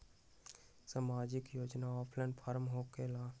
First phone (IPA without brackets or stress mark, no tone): s